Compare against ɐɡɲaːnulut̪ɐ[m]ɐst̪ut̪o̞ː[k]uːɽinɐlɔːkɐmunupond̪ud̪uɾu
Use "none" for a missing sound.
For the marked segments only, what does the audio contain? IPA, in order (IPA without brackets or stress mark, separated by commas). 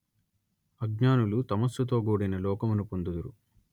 m, ɡ